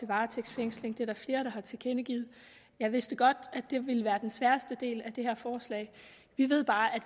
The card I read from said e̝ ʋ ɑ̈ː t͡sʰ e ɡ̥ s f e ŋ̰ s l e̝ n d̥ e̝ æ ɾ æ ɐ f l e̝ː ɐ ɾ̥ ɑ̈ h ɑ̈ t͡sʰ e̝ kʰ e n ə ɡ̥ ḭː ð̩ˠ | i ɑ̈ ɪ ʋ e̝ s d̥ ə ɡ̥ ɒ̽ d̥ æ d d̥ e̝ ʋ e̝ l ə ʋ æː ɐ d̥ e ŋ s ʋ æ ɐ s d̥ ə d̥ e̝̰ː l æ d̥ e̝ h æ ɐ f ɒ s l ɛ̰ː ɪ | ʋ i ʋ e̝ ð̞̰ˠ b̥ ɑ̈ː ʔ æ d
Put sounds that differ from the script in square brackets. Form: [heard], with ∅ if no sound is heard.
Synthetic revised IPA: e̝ ʋ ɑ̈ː t͡sʰ e ɡ̥ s f e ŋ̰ s l e̝ [ŋ] d̥ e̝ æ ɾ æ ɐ f l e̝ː ɐ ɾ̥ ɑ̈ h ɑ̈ t͡sʰ e̝ kʰ e n ə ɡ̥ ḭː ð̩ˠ | [j] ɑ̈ ɪ ʋ e̝ s d̥ ə ɡ̥ ɒ̽ d̥ æ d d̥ e̝ ʋ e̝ l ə ʋ æː ɐ d̥ e [n] s ʋ æ ɐ s d̥ ə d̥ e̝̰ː l æ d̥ e̝ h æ ɐ f [ɒː] s l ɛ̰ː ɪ | ʋ i ʋ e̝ ð̞̰ˠ b̥ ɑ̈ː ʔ æ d

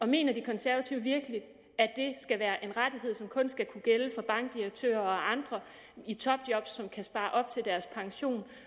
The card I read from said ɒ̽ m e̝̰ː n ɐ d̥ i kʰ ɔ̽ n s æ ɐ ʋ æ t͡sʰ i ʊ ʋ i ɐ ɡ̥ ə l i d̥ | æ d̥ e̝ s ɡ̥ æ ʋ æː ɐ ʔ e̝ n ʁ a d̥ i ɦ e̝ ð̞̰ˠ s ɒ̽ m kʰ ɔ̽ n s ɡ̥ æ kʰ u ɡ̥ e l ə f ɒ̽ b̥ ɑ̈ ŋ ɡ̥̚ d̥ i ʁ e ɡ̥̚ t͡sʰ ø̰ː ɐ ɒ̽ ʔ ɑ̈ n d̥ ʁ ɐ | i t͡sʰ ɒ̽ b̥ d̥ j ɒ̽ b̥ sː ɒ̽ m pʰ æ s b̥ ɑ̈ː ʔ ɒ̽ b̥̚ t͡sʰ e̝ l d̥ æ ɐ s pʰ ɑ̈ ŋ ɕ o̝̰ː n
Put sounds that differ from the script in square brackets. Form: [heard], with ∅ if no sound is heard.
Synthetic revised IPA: ɒ̽ m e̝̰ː n ɐ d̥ i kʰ [ɒ̽] n s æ ɐ ʋ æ t͡sʰ i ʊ ʋ i ɐ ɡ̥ ə l i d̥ | æ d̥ e̝ s ɡ̥ æ ʋ æː ɐ ʔ e̝ n ʁ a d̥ i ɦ e̝ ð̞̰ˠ s ɒ̽ m kʰ ɔ̽ n s ɡ̥ æ kʰ u ɡ̥ e l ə f ɒ̽ b̥ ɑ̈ ŋ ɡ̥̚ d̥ i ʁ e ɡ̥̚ t͡sʰ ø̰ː ɐ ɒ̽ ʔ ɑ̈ n d̥ ʁ ɐ | i t͡sʰ ɒ̽ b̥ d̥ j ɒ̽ b̥ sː ɒ̽ m [kʰ] æ s b̥ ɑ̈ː ʔ ɒ̽ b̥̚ t͡sʰ e̝ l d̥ æ ɐ s pʰ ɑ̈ ŋ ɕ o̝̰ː n

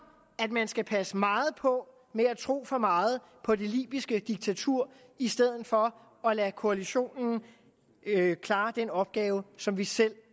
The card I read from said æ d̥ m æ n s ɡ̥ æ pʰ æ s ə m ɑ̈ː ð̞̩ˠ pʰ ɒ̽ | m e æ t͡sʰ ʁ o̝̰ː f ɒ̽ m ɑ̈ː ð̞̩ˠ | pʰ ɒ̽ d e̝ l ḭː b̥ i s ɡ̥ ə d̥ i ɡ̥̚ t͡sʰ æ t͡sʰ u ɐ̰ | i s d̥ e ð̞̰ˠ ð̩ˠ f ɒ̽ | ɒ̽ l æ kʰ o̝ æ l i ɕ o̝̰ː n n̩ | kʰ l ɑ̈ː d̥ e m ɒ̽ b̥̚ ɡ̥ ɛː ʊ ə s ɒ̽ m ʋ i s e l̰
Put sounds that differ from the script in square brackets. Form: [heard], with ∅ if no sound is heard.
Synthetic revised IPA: æ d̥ m æ n s ɡ̥ æ pʰ æ s ə m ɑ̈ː ð̞̩ˠ pʰ ɒ̽ | m e æ t͡sʰ ʁ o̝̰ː f ɒ̽ m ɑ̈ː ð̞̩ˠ | pʰ ɒ̽ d e̝ l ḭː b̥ i s ɡ̥ ə d̥ i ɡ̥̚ t͡sʰ æ t͡sʰ u ɐ̰ | i s d̥ e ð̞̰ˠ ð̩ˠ f ɒ̽ | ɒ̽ l æ kʰ o̝ æ l i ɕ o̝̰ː n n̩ | kʰ l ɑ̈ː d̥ e [n] ɒ̽ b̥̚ ɡ̥ ɛː ʊ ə s ɒ̽ m ʋ i s e l̰

